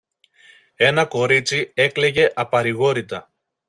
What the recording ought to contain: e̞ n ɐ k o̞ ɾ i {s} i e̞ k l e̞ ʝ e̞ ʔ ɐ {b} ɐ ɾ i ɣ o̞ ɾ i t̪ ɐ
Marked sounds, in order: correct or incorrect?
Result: incorrect: t͡s, incorrect: p

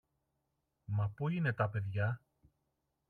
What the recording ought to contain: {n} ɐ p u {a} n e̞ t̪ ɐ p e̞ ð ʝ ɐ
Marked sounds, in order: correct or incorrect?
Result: incorrect: m, incorrect: i

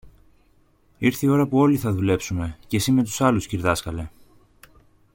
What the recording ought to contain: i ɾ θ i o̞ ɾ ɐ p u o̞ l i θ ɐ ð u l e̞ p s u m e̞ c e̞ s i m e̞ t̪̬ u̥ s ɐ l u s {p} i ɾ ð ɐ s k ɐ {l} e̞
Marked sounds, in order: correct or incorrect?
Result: incorrect: c, correct

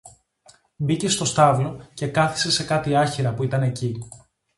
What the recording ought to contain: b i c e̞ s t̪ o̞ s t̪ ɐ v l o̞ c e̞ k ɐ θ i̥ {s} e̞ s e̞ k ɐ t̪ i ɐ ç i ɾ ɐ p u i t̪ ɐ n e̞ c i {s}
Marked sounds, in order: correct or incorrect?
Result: correct, incorrect: none

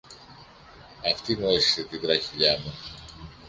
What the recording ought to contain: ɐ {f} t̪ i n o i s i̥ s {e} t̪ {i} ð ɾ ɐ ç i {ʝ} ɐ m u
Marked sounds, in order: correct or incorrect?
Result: correct, correct, correct, incorrect: ʎ

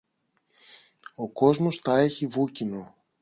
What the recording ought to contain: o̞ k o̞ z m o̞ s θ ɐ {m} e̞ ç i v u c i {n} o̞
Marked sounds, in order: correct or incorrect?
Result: incorrect: none, correct

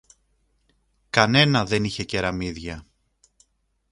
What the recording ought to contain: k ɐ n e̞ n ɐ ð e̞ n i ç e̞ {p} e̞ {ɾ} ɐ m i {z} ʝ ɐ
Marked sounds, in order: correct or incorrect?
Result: incorrect: c, correct, incorrect: ð

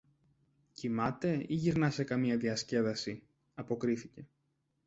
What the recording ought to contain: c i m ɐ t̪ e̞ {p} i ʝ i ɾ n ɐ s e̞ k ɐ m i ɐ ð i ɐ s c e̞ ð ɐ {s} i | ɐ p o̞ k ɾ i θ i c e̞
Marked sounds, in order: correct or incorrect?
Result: incorrect: none, correct

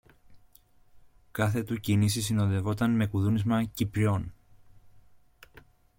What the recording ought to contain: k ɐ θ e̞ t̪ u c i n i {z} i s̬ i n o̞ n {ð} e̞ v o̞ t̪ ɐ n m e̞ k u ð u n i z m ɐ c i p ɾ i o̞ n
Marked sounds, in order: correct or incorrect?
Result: incorrect: s, correct

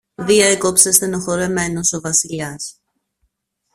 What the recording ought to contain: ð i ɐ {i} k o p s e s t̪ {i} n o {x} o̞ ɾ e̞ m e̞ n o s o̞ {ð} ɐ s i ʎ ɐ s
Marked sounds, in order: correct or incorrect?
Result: incorrect: e, incorrect: e, correct, incorrect: v

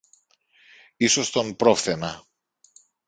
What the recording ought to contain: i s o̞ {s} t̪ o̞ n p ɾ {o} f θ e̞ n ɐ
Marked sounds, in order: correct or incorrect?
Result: correct, correct

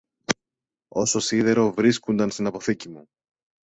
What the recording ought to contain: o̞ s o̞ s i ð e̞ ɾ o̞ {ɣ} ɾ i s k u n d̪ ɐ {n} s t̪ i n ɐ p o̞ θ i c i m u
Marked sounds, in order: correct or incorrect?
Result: incorrect: v, correct

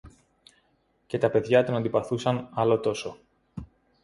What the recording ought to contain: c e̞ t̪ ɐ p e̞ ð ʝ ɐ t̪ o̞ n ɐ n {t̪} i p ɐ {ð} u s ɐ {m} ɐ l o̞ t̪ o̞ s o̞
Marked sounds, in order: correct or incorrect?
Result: incorrect: d̪, incorrect: θ, incorrect: n

